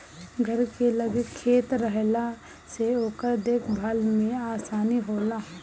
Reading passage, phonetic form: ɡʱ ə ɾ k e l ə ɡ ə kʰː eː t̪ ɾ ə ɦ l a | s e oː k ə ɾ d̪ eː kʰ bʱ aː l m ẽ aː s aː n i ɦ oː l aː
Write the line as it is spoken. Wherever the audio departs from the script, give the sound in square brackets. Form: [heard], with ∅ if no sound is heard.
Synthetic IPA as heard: ɡʱ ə ɾ k e l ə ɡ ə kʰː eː t̪ ɾ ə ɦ l a | s e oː k ə ɾ d̪ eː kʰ bʱ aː l m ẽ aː s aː n i ɦ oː l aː